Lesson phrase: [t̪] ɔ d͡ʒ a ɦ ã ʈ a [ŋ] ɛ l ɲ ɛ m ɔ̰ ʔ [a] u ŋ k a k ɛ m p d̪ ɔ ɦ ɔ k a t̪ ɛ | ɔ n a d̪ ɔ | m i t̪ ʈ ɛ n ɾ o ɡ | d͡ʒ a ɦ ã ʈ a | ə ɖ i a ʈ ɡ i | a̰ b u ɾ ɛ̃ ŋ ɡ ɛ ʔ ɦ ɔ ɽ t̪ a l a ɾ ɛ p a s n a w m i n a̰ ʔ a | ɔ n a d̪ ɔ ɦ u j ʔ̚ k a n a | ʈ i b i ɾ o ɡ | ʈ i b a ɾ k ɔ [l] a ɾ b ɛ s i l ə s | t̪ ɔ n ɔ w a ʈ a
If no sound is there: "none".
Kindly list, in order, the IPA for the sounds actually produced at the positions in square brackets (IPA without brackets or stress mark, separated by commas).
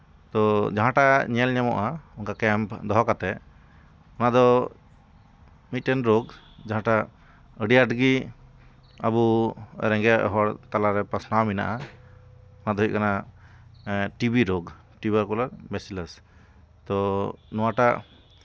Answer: t̪, ɲ, a, l